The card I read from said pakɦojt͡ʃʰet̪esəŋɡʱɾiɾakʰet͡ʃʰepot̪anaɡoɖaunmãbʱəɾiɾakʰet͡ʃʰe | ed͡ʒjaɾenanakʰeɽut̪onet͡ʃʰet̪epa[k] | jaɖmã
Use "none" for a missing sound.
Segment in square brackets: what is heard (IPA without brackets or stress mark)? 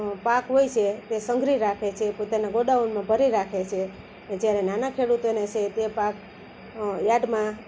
k